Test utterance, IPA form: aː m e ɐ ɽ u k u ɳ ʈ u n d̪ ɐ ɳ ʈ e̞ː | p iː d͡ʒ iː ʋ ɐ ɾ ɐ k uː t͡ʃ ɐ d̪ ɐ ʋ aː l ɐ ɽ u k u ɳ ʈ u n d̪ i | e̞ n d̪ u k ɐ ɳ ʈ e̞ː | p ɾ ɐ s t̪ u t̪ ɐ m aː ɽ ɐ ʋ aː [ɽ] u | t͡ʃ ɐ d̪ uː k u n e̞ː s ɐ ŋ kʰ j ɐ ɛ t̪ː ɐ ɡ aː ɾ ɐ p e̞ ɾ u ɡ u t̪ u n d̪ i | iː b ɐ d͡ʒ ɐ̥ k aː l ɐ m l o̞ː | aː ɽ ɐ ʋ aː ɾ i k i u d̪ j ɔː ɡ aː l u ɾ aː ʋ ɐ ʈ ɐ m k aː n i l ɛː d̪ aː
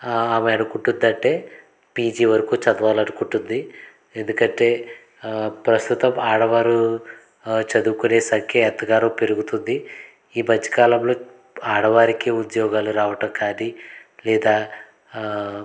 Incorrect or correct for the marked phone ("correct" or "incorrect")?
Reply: incorrect